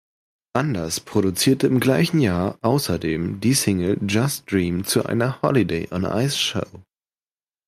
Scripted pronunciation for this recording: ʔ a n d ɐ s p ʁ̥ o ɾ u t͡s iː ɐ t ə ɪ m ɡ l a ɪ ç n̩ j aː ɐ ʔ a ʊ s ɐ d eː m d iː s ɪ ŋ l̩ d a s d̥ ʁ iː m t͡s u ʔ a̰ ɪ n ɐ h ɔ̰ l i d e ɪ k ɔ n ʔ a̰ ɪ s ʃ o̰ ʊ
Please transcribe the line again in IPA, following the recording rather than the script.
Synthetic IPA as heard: ʔ a n d ɐ s p ʁ̥ o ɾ u t͡s iː ɐ t ə ɪ m ɡ l a ɪ ç n̩ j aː ɐ ʔ a ʊ s ɐ d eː m d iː s ɪ ŋ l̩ d͡ʒ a s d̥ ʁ iː m t͡s u ʔ a̰ ɪ n ɐ h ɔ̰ l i d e ɪ ʔ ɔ n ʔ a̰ ɪ s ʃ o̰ ʊ